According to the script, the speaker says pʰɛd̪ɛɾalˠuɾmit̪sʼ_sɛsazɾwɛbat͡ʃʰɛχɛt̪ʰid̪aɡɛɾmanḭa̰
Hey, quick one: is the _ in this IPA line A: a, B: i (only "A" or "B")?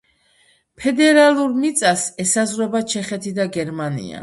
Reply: A